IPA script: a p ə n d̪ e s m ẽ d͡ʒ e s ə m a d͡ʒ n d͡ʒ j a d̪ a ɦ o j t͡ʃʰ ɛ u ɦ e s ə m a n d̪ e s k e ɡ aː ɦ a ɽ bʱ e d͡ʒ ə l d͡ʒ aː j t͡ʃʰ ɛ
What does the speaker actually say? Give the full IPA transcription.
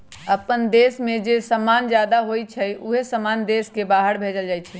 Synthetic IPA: ə p ə n d̪ e s m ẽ d͡ʒ e s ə m a n d͡ʒ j a d̪ a ɦ o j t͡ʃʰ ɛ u ɦ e s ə m a n d̪ e s k e b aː ɦ ə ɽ bʱ e d͡ʒ ə l d͡ʒ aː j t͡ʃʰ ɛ